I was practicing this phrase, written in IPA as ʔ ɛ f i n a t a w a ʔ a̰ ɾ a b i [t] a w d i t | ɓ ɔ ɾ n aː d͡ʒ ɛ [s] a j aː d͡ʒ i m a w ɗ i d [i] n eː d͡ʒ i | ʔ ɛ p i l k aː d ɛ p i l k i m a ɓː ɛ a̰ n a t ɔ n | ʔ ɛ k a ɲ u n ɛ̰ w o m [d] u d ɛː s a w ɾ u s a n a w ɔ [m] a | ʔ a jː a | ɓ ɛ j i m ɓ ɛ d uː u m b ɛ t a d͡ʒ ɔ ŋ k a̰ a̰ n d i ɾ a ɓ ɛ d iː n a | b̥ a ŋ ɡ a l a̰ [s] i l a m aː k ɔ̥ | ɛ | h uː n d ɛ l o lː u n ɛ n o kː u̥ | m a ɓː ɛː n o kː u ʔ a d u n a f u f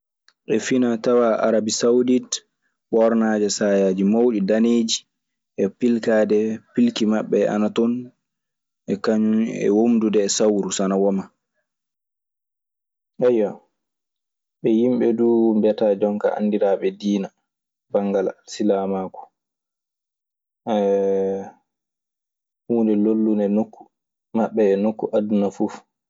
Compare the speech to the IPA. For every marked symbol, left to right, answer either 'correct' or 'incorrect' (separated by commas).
incorrect, correct, incorrect, correct, correct, correct